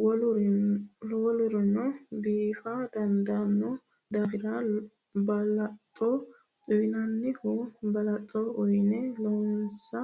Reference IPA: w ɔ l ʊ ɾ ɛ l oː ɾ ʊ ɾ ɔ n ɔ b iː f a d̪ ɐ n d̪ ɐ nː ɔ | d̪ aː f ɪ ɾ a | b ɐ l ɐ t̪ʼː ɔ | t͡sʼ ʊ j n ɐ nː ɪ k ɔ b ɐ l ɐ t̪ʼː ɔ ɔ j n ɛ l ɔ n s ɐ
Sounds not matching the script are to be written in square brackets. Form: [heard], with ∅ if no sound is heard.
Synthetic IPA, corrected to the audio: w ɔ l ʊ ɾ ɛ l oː [l] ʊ ɾ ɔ n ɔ b iː f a d̪ ɐ n d̪ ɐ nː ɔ | d̪ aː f ɪ ɾ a | b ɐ l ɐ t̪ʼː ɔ | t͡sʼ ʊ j n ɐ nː ɪ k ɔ b ɐ l ɐ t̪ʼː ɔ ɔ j n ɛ l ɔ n s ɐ